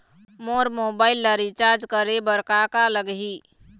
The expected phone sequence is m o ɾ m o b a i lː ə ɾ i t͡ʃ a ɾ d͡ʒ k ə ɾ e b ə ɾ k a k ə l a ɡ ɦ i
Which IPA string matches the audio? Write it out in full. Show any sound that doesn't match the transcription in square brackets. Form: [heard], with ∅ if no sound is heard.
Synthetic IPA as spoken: m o ɾ m o b a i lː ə ɾ i t͡ʃ a ɾ d͡ʒ k ə ɾ e b ə ɾ k a k [a] l [ə] ɡ ɦ i